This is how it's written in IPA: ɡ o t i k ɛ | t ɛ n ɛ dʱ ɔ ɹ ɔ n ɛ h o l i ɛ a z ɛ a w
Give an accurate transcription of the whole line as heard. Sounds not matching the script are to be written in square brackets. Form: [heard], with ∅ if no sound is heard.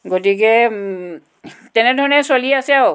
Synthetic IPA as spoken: ɡ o t i k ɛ | t ɛ n ɛ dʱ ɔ ɹ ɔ n ɛ [s] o l i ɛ a [s] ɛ a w